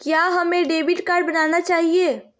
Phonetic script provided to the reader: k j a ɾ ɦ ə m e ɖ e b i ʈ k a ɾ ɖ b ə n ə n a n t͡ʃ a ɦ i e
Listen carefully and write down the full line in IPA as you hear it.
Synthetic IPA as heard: k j a ɦ ə m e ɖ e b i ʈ k a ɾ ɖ b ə n a n a t͡ʃ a ɦ i e